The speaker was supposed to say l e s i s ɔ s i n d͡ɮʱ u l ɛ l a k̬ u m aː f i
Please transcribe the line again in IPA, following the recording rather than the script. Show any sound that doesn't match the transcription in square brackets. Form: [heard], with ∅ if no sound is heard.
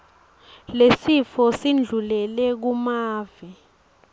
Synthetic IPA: l e s i [f] ɔ s i n d͡ɮʱ u l ɛ l [ɛ] k̬ u m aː [v] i